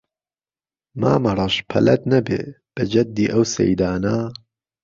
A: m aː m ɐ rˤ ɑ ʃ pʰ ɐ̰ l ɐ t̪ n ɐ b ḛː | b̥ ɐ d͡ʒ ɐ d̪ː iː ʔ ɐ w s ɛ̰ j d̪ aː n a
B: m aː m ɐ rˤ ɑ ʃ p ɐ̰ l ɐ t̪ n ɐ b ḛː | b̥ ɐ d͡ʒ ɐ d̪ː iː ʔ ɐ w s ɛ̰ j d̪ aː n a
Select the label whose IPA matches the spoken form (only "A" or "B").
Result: A